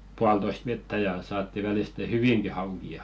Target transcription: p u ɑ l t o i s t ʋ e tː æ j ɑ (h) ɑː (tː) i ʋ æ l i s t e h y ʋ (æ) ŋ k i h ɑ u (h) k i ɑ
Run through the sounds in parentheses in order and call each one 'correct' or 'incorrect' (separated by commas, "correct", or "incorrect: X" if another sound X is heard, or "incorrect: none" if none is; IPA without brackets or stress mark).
incorrect: s, correct, incorrect: i, incorrect: none